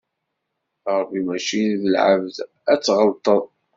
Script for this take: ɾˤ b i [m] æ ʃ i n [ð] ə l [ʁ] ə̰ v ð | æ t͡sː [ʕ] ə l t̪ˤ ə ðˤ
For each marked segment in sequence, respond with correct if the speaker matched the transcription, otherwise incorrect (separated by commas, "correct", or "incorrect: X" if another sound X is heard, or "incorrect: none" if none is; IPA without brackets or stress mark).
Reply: correct, correct, incorrect: ʕ, incorrect: ʁ